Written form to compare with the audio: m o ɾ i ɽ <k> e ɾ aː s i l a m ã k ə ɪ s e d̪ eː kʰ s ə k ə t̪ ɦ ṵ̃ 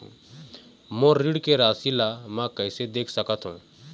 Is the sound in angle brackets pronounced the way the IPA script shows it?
yes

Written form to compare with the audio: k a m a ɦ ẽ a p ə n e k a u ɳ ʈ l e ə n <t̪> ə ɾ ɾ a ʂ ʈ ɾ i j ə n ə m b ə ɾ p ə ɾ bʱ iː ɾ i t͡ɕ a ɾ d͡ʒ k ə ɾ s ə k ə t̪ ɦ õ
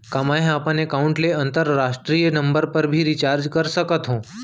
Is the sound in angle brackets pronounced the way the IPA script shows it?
yes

